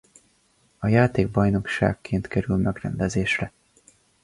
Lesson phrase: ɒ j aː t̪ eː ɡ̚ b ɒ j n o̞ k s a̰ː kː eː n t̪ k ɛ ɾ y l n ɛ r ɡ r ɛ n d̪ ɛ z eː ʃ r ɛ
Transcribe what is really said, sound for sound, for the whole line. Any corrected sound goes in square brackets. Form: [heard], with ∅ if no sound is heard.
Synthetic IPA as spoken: ɒ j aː t̪ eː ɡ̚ b ɒ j n o̞ k [ʃ] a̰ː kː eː n t̪ k ɛ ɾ y l [m] ɛ [∅] ɡ r ɛ n d̪ ɛ z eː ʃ r ɛ